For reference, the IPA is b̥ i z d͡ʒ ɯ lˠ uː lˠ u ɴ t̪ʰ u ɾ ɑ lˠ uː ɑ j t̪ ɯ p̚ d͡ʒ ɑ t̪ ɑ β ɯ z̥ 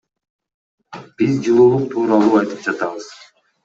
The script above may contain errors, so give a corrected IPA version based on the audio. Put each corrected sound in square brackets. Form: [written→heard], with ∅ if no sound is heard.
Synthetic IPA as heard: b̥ i z d͡ʒ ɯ lˠ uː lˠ u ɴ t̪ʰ [u→uː] ɾ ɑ lˠ uː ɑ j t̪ ɯ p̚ d͡ʒ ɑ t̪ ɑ β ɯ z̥